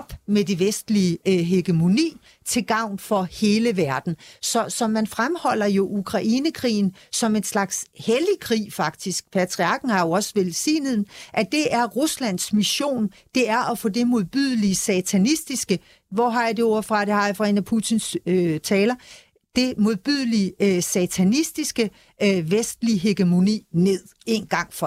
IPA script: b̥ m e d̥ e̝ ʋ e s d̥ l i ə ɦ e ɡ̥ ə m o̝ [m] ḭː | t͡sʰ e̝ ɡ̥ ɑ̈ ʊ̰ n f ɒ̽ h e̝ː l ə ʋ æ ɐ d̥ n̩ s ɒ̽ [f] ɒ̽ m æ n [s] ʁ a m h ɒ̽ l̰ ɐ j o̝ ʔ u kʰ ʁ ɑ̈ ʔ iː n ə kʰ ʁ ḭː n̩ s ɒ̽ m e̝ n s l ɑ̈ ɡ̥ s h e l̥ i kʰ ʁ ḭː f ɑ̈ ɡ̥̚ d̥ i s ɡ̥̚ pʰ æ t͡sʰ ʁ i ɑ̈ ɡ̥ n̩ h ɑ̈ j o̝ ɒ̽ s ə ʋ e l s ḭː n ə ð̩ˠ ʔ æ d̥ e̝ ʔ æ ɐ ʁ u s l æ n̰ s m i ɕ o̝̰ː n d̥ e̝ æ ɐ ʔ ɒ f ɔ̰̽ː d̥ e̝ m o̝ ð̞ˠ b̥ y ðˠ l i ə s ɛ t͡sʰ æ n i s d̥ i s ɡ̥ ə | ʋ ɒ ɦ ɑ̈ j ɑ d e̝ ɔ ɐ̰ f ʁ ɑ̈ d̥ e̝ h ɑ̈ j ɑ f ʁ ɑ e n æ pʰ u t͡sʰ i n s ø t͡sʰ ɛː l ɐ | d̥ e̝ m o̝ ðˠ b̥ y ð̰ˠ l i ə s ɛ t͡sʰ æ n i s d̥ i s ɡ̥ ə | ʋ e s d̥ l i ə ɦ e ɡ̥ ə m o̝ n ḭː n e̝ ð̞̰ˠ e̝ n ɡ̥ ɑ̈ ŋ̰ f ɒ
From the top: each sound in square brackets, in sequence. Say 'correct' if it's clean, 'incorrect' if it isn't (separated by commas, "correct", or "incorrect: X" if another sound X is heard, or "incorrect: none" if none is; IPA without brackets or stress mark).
incorrect: n, incorrect: s, incorrect: f